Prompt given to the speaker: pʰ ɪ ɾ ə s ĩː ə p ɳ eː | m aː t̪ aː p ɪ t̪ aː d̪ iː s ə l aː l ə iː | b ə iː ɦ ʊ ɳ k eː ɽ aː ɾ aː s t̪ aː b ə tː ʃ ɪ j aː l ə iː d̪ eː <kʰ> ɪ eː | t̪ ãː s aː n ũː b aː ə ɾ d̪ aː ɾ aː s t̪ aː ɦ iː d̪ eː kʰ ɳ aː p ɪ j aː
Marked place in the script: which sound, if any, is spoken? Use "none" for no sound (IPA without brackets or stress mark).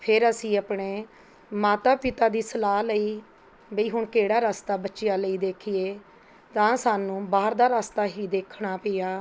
kʰ